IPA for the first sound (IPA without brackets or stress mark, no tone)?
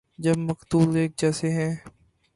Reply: d͡ʒ